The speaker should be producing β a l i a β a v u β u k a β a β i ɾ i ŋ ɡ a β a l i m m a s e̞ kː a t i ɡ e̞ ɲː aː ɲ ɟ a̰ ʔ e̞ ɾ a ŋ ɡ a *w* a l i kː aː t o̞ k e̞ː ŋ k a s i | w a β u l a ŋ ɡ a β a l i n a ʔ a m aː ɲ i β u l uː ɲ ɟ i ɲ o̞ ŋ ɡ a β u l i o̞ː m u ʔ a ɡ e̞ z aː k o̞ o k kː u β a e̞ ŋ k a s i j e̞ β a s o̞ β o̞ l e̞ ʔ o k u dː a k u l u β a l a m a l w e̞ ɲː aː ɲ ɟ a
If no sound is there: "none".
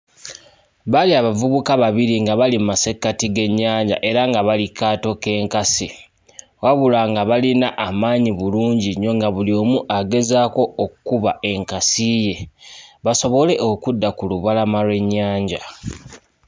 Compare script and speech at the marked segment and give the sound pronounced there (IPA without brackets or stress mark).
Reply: β